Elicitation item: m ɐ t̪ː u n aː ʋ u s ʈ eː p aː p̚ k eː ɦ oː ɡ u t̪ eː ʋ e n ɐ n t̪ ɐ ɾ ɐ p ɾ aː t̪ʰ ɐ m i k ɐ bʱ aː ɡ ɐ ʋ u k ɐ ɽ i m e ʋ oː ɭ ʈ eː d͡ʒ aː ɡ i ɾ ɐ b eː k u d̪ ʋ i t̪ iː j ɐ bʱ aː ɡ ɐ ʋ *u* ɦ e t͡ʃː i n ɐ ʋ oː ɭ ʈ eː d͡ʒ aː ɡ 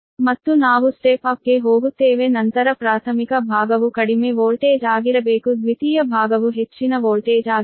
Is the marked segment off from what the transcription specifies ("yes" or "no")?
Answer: no